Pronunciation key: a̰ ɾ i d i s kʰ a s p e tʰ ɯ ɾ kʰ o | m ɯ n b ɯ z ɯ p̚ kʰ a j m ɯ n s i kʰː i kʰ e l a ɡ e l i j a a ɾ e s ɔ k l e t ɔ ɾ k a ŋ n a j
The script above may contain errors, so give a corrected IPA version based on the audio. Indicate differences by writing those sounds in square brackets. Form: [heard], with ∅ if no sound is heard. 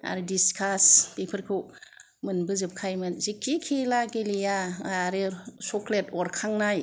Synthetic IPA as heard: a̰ ɾ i d i s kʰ a s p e [pʰ] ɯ ɾ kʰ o | m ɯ n b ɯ z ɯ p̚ kʰ a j m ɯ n [z] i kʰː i kʰ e l a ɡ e l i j a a ɾ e s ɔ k l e t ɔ ɾ [kʰ] a ŋ n a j